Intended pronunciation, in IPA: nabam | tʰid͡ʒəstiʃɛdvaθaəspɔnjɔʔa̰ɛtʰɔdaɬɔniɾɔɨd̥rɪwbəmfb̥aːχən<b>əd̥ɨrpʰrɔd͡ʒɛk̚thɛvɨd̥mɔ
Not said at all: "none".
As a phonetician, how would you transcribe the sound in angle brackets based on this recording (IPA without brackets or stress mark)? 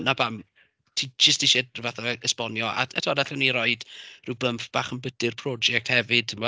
b